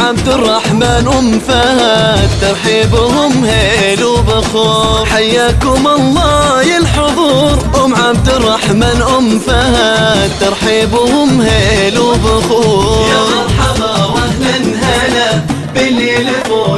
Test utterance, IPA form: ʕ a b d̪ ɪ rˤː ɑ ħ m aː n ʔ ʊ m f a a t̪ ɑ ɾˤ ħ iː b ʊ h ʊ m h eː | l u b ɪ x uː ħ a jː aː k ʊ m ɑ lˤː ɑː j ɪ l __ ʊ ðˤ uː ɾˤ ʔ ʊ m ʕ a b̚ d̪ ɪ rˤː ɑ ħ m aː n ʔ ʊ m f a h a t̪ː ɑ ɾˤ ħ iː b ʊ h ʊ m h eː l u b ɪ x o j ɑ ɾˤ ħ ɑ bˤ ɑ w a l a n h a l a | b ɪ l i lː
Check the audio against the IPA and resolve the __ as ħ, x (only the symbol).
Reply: ħ